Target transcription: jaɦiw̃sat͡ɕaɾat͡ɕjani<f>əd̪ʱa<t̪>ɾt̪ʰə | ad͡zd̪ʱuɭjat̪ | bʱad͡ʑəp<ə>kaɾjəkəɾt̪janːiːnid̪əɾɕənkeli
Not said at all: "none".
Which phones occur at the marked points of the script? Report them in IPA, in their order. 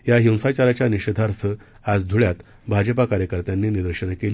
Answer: ɕ, none, a

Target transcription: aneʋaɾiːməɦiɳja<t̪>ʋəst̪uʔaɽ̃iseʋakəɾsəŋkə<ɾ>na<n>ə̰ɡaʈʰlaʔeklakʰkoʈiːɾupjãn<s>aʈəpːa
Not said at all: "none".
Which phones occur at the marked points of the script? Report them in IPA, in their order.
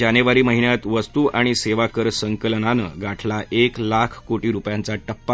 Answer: t̪, l, n, t͡s

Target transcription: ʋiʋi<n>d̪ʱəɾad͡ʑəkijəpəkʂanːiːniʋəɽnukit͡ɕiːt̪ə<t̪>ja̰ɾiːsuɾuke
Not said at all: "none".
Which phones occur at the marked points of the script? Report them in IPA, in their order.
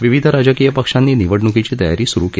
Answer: none, none

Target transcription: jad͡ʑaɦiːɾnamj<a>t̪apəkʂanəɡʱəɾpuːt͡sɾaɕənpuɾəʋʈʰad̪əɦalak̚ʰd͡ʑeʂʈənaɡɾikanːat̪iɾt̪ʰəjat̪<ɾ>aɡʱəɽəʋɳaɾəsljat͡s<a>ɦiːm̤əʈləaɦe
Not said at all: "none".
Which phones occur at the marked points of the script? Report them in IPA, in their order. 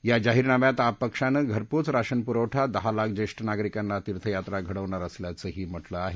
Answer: a, ɾ, ə

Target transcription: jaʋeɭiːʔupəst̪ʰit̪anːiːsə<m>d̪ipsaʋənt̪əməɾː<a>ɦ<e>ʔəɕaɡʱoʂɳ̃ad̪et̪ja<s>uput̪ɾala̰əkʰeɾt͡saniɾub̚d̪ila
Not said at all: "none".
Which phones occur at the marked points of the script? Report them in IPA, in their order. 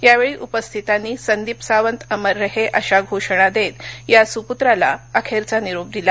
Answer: n, ə, e, s

